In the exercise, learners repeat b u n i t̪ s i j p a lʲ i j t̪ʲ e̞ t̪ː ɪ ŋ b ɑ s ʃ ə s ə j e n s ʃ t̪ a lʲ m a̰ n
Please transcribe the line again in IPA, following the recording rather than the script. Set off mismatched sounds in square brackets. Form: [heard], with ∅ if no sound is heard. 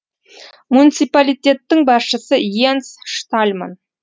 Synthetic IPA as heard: [m] u n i t̪ s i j p a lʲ i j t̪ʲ e̞ t̪ː ɪ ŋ b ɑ s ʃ ə s ə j e n s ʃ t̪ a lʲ m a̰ n